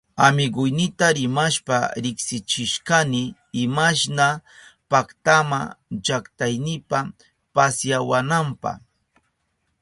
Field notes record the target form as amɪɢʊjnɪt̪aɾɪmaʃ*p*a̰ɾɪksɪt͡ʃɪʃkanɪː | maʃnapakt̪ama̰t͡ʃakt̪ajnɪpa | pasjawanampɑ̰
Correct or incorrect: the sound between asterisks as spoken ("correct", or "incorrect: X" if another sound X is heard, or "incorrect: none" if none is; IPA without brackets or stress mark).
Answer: correct